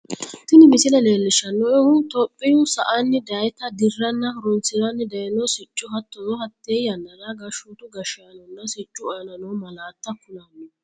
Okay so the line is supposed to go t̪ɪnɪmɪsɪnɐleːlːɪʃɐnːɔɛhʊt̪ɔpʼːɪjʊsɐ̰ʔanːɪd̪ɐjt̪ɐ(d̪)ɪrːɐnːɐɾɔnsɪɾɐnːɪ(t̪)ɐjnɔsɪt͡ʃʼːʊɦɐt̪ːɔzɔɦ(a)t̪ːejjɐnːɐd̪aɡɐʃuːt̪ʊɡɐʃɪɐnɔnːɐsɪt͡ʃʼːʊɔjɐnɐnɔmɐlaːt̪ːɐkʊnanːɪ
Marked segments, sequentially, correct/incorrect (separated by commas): correct, incorrect, incorrect